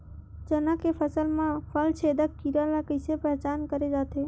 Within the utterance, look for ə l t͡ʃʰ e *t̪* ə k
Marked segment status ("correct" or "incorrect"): incorrect